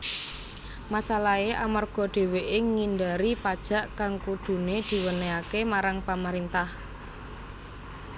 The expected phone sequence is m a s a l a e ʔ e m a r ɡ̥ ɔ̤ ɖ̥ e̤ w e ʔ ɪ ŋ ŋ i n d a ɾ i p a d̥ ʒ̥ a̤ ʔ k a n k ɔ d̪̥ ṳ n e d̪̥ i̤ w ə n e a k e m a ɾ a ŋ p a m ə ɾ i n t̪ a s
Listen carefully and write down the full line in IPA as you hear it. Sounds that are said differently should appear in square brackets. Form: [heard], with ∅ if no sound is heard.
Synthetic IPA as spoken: m a s a l a e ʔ [a] m a r ɡ̥ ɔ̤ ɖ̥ e̤ w e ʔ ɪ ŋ ŋ i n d a ɾ i p a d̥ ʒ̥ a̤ ʔ k a [ŋ] k [u] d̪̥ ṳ n e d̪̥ i̤ w ə n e a k e m a ɾ a ŋ p a m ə ɾ i n t̪ a [h]